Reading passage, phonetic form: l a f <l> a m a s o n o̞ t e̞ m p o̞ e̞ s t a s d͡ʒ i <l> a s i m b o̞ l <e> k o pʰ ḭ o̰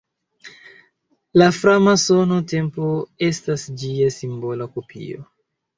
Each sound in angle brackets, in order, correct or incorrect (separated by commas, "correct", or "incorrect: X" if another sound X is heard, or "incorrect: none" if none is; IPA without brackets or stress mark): incorrect: ɾ, incorrect: none, incorrect: a